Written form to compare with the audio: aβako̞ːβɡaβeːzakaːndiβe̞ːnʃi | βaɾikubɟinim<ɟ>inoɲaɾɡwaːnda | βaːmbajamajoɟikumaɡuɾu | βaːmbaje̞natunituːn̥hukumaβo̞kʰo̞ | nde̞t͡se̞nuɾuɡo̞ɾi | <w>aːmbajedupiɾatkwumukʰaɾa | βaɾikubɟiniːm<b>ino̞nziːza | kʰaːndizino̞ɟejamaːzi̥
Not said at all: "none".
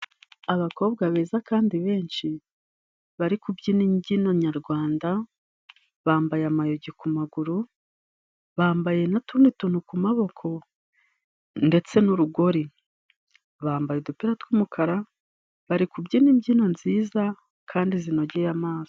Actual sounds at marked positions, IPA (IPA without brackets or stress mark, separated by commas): ɟ, β, ɟ